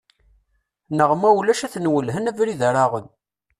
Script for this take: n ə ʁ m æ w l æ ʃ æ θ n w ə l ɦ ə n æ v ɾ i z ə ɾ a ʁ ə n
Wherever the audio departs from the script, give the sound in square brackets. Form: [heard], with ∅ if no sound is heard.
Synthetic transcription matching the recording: n ə ʁ m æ w l æ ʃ æ θ n w ə l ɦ ə n æ v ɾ i [ð] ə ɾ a ʁ ə n